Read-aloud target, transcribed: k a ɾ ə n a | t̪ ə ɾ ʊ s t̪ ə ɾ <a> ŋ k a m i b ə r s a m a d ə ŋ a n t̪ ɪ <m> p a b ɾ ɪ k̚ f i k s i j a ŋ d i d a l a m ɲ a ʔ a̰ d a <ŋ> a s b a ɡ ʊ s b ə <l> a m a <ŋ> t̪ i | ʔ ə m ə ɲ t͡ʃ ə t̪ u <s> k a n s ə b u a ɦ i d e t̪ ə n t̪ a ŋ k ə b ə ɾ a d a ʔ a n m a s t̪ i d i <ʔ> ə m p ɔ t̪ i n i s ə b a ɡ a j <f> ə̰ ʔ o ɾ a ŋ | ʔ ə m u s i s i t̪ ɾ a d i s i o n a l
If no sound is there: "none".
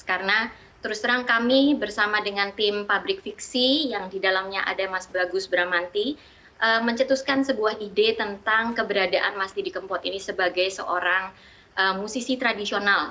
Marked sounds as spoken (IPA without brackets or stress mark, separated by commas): a, m, m, ɾ, n, s, k, s